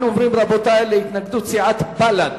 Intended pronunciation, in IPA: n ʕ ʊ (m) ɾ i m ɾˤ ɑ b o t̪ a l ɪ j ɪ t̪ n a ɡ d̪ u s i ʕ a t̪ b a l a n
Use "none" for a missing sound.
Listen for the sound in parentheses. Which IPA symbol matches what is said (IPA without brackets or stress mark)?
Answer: m